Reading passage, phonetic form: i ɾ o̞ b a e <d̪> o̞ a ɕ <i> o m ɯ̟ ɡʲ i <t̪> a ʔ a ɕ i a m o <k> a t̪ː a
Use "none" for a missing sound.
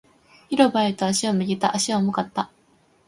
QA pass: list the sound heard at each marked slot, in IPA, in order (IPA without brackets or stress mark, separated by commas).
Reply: t̪, i, t̪, k